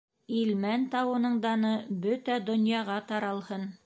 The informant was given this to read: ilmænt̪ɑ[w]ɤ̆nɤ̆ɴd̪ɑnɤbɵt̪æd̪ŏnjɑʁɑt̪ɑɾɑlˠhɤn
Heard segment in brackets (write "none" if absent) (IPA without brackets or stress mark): w